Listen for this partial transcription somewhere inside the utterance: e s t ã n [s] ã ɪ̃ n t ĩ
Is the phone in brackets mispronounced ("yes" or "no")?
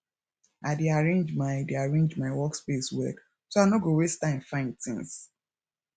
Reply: yes